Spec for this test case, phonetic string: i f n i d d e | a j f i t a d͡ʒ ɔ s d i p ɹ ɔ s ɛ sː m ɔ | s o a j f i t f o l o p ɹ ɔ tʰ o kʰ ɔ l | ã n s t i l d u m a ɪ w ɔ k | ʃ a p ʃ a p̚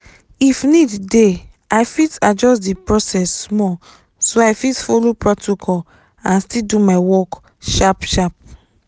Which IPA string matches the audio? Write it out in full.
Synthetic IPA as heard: i f n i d d e | a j f i t a d͡ʒ ɔ s d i p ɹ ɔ s ɛ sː m ɔ | s o a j f i t f o l o p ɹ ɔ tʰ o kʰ ɔ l | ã n s t i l d u m a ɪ w ɔ k | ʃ a p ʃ a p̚